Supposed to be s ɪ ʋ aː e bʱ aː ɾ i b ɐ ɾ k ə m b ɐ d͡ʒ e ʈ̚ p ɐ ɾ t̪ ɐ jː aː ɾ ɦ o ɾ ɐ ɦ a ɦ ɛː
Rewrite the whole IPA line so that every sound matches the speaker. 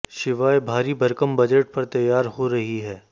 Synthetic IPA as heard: ʃ ɪ ʋ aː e bʱ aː ɾ i b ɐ ɾ k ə m b ɐ d͡ʒ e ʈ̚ p ɐ ɾ t̪ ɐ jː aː ɾ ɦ o ɾ ɐ ɦ i ɦ ɛː